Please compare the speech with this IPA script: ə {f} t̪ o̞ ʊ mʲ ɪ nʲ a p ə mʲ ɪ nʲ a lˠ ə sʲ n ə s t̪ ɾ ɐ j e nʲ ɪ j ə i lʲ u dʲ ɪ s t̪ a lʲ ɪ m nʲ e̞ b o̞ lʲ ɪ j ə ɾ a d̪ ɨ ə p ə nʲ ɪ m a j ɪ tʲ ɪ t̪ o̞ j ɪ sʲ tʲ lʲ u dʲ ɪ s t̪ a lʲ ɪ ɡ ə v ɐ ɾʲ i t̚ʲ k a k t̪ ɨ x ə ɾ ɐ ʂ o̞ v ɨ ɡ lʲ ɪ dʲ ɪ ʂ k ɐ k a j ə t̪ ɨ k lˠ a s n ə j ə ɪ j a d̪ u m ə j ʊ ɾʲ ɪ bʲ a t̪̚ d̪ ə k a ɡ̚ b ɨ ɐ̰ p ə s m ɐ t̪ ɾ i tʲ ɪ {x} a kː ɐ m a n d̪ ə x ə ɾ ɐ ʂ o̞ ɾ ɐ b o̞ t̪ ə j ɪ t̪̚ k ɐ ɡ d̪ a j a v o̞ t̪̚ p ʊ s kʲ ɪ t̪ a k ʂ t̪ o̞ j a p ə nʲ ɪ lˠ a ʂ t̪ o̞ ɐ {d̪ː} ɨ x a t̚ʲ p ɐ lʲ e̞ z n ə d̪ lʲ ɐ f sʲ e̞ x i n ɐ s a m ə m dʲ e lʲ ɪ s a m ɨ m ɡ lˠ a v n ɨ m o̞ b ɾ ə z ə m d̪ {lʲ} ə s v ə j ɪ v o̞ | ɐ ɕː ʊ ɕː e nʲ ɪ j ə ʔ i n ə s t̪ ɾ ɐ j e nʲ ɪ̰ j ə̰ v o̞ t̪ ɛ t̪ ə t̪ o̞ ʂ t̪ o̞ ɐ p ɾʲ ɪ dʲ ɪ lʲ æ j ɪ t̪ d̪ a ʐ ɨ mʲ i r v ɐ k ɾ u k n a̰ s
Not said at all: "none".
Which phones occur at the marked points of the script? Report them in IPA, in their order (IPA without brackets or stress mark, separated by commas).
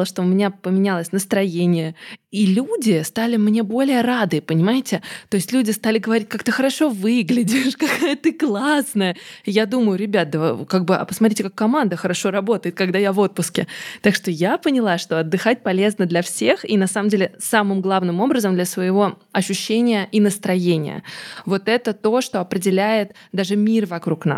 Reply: ʂ, k, d̪ː, lʲ